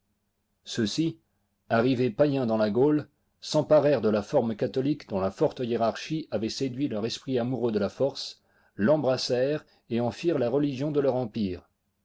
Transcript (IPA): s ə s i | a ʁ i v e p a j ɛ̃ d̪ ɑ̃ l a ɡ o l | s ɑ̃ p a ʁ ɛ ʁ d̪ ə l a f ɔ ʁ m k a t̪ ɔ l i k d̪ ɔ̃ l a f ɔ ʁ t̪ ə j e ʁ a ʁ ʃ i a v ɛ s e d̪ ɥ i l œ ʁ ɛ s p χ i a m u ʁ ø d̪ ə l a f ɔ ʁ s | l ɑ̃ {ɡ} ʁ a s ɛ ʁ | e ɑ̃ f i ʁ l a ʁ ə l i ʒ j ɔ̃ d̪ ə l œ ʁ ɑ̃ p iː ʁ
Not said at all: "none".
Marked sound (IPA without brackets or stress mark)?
b